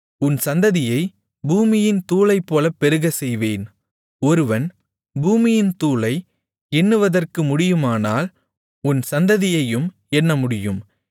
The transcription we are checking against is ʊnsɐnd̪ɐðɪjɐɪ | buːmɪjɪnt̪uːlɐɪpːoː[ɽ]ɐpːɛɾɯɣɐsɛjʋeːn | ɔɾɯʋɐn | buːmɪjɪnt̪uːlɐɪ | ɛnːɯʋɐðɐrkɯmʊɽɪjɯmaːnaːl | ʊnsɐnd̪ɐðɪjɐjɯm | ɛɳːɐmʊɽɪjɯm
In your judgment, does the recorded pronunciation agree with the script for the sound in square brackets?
no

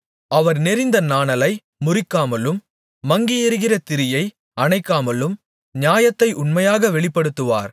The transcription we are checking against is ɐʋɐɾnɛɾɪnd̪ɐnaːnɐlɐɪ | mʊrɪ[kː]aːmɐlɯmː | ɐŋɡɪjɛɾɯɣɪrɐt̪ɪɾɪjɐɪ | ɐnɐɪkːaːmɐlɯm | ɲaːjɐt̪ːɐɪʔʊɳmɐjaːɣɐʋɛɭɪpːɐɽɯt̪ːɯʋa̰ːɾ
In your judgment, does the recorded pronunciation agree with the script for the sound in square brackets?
yes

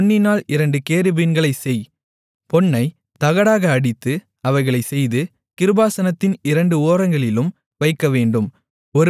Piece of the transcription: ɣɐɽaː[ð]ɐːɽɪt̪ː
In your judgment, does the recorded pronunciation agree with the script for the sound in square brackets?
no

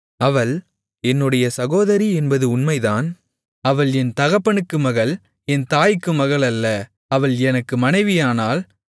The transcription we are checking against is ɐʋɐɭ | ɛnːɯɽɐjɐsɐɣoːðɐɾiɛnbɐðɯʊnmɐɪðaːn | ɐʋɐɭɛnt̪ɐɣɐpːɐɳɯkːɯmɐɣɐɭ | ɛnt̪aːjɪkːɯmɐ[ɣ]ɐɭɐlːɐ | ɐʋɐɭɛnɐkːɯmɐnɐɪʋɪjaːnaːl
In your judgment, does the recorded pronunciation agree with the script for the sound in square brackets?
yes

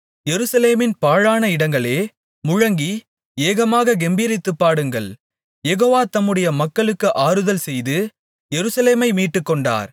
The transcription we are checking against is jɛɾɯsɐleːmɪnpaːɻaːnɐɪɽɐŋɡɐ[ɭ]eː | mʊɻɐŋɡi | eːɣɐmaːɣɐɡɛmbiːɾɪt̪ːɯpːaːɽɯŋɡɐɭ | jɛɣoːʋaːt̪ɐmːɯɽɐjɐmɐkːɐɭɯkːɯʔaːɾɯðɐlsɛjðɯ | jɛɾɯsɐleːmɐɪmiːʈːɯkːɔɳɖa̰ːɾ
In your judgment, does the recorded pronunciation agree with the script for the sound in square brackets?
yes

